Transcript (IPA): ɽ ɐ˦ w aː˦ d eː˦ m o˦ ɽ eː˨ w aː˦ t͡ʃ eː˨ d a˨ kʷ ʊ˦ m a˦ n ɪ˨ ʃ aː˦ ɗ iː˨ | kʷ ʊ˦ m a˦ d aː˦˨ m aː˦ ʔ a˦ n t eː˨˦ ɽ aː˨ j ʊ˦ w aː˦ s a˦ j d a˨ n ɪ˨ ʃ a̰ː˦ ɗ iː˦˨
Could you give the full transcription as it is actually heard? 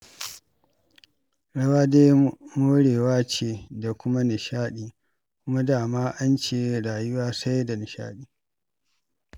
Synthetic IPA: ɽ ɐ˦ w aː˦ d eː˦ m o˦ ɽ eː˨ w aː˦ t͡ʃ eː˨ d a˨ kʷ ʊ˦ m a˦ n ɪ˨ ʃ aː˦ ɗ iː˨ | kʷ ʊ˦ m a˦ d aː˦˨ m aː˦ ʔ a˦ n t͡ʃ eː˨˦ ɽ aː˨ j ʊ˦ w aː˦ s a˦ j d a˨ n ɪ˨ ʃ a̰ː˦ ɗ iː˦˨